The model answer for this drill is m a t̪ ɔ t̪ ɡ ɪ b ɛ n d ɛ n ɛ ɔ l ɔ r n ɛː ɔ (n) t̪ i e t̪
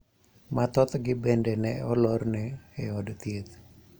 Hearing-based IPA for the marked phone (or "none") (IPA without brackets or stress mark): d